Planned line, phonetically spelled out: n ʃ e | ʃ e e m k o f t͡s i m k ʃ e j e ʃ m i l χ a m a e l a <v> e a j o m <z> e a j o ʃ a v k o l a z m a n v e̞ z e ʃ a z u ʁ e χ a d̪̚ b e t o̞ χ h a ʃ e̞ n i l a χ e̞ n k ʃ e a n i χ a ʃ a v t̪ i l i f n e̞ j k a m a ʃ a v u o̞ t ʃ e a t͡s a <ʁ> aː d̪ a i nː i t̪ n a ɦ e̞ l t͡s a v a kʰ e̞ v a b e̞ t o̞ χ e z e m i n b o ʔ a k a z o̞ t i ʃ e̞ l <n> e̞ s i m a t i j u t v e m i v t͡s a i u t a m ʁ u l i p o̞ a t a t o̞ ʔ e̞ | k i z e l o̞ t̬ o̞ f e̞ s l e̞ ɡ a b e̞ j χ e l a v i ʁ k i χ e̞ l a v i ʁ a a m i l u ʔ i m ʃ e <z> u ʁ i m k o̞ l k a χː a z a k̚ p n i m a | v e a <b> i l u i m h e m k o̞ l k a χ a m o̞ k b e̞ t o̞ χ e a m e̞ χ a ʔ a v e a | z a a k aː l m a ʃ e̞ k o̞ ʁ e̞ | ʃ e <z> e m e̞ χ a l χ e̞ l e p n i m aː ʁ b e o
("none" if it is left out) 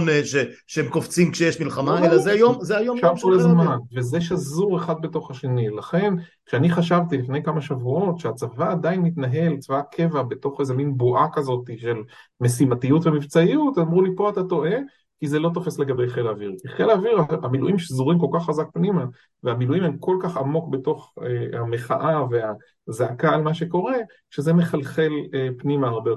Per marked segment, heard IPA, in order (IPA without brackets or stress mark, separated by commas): z, z, v, m, z, m, z